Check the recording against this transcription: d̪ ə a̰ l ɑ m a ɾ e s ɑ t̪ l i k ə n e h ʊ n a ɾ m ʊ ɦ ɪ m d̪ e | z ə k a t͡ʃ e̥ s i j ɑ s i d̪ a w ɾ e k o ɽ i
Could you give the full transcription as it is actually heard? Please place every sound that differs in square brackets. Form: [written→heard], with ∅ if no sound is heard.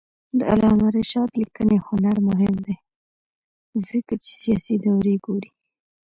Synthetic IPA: d̪ ə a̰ l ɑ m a ɾ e [s→ʃ] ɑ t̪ l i k ə n e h ʊ n a ɾ m ʊ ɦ ɪ m d̪ e | z ə k a t͡ʃ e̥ s i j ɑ s i d̪ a w ɾ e [k→ɡ] o [ɽ→ɾ] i